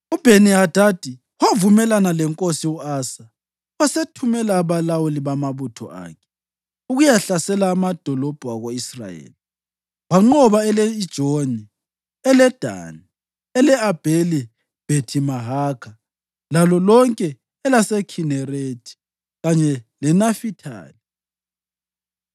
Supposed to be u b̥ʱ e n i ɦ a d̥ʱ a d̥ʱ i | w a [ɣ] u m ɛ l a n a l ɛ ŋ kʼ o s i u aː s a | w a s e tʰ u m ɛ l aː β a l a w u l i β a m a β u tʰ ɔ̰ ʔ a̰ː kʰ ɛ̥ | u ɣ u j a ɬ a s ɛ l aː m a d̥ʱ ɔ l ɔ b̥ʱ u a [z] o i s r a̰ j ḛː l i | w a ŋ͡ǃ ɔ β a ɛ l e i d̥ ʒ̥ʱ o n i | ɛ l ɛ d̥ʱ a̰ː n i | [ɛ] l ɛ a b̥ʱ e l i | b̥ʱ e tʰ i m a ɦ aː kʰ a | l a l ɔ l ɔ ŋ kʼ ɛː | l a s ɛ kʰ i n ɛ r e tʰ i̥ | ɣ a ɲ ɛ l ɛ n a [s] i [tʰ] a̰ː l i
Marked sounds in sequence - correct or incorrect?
incorrect: v, incorrect: ɣ, correct, incorrect: f, correct

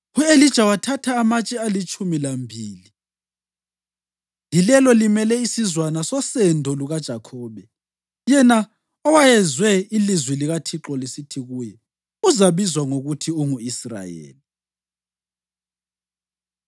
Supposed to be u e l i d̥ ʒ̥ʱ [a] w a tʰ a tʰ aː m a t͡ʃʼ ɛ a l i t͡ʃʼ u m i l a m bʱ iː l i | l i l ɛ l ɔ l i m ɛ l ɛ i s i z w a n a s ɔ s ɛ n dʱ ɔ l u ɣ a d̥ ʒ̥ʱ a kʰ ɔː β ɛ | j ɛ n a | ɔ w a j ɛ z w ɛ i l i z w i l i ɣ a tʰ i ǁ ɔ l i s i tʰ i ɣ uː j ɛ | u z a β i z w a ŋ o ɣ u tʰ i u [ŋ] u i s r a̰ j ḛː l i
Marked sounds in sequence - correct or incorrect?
correct, correct

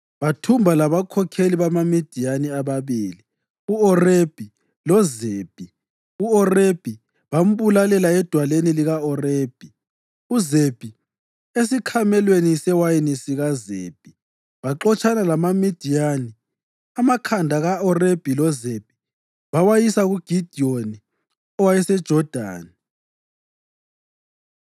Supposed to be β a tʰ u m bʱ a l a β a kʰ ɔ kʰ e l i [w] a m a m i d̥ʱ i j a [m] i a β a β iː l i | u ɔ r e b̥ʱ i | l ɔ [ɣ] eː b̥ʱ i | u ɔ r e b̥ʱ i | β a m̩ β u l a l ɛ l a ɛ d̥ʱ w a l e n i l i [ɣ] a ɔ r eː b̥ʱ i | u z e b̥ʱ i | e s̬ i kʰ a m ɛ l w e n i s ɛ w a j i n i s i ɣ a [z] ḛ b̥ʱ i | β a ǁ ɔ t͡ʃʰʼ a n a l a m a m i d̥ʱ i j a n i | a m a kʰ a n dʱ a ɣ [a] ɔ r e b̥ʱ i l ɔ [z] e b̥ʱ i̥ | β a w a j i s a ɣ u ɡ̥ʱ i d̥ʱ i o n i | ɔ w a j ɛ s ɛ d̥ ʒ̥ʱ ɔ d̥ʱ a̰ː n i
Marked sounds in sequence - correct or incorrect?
incorrect: β, incorrect: n, incorrect: z, correct, correct, correct, correct

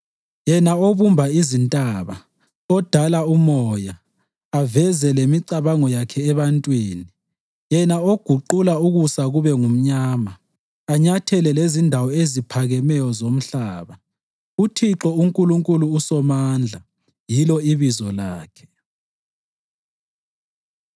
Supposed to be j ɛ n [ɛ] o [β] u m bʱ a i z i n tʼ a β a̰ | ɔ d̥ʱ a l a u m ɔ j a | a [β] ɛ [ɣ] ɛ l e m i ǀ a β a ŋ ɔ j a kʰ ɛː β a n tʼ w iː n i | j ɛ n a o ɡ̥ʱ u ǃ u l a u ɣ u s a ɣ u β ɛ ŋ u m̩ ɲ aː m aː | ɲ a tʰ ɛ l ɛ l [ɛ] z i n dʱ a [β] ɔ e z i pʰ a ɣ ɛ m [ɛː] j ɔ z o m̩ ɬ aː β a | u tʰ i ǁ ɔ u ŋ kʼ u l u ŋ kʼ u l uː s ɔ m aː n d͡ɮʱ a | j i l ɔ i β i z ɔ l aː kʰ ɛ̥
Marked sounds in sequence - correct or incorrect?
incorrect: a, correct, incorrect: v, incorrect: z, incorrect: e, incorrect: w, incorrect: ɛ

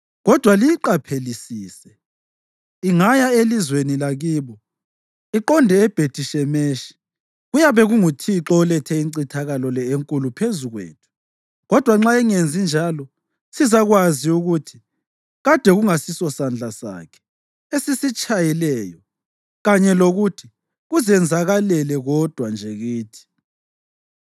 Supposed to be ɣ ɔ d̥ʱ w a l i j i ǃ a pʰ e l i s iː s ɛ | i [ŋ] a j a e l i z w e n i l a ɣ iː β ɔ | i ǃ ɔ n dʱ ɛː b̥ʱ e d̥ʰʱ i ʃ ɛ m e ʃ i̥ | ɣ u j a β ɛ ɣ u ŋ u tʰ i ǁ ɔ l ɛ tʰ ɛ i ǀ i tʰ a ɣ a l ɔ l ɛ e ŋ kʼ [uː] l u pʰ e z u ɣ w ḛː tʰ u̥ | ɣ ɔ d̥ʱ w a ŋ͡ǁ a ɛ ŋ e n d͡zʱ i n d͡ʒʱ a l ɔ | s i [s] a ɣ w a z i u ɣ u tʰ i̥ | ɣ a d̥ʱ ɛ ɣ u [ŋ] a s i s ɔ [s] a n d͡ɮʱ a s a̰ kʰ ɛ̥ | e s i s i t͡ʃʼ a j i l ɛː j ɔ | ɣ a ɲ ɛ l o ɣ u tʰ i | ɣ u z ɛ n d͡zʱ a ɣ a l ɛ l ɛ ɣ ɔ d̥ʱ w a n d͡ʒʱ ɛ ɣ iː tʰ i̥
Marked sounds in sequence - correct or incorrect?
correct, incorrect: u, incorrect: z, correct, correct

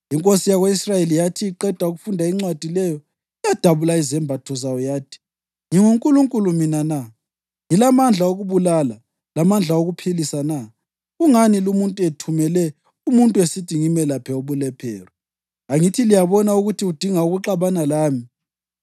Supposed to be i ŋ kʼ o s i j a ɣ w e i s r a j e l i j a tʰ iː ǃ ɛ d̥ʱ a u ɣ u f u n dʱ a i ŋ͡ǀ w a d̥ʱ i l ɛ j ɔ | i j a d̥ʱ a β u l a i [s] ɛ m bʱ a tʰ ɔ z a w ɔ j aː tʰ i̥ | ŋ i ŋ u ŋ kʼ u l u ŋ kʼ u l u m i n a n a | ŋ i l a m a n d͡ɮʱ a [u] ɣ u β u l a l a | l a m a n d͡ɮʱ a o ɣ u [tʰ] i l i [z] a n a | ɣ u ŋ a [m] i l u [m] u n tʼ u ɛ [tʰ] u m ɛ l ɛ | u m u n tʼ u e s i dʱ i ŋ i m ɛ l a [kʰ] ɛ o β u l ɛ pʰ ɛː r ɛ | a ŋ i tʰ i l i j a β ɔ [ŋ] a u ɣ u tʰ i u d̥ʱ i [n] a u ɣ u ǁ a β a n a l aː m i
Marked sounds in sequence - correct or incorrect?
incorrect: z, incorrect: o, incorrect: pʰ, incorrect: s, incorrect: n, correct, correct, incorrect: pʰ, incorrect: n, incorrect: ŋ

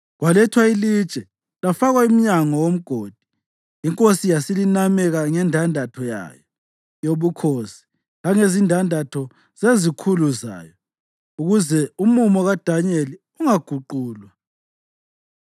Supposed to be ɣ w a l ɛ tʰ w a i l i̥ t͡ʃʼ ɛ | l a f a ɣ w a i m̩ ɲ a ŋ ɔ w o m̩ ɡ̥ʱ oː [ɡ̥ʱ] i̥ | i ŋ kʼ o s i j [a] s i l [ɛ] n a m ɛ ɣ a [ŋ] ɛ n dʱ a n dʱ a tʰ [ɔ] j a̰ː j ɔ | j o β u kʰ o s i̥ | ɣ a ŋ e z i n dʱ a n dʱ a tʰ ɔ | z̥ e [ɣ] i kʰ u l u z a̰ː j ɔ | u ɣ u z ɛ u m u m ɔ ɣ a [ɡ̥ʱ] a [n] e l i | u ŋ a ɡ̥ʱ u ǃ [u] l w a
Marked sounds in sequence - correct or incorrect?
incorrect: d̥ʱ, correct, incorrect: i, correct, correct, incorrect: z, incorrect: d̥ʱ, incorrect: ɲ, incorrect: uː

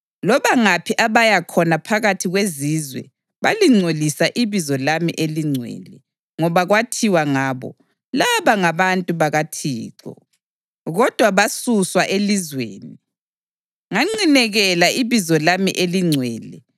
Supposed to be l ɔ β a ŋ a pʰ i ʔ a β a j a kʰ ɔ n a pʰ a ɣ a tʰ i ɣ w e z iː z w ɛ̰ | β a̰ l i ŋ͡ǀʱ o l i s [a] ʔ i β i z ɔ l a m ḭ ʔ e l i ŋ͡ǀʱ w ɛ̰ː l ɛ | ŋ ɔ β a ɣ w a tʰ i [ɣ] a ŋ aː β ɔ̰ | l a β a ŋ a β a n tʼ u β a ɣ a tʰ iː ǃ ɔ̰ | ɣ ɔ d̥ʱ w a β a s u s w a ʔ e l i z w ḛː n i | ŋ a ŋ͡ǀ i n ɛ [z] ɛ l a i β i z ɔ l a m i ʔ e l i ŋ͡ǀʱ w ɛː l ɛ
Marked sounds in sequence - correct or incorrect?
correct, incorrect: w, incorrect: ɣ

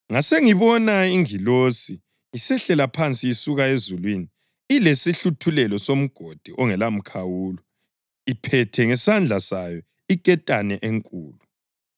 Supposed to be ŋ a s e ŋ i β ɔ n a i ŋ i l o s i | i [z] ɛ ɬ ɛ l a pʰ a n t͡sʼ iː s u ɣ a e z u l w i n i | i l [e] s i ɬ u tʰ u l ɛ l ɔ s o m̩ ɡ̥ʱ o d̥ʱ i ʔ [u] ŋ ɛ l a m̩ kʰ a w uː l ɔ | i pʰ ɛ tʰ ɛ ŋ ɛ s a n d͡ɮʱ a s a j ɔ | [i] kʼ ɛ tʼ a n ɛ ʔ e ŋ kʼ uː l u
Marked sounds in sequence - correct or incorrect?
incorrect: s, correct, incorrect: ɔ, correct

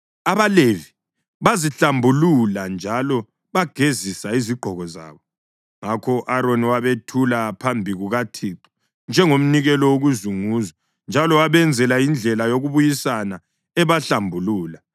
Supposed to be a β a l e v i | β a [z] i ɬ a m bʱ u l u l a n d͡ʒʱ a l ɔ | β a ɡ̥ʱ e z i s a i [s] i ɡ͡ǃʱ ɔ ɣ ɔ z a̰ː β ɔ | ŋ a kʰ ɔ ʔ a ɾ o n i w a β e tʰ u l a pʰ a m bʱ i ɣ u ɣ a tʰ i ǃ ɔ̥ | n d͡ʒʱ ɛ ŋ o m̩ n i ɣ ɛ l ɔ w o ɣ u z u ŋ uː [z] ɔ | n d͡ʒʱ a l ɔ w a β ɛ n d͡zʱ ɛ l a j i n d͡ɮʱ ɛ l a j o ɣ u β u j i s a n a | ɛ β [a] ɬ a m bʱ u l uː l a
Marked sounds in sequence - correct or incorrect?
correct, incorrect: z, correct, correct

